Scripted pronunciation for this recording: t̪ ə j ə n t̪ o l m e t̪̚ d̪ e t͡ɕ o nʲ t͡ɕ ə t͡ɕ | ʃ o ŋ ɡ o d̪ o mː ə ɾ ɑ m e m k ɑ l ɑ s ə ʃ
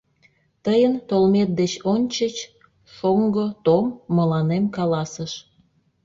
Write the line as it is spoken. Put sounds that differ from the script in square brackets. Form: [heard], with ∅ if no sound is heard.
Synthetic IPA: t̪ ə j ə n t̪ o l m e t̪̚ d̪ e t͡ɕ o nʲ t͡ɕ ə t͡ɕ | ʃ o ŋ ɡ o [t̪] o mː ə [l] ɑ [n] e m k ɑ l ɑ s ə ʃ